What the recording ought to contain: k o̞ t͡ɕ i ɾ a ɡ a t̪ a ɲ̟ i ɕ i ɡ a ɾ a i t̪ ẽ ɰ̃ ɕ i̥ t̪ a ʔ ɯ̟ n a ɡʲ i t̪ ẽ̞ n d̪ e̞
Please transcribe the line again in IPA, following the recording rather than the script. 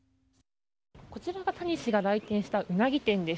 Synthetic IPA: k o̞ t͡ɕ i ɾ a ɡ a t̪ a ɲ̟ i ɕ i ɡ a ɾ a i t̪ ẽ ɰ̃ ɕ i̥ t̪ a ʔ ɯ̟ n a ɡʲ i t̪ ẽ̞ n d̪ e̞